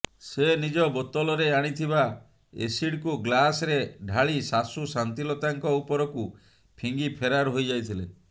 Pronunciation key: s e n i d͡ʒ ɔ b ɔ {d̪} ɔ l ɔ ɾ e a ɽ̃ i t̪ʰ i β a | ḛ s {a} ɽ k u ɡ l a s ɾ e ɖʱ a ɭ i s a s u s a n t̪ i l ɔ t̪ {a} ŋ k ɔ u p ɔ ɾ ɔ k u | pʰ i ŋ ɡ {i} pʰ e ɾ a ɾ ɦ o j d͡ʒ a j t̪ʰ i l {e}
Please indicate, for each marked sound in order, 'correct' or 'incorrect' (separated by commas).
incorrect, incorrect, correct, correct, correct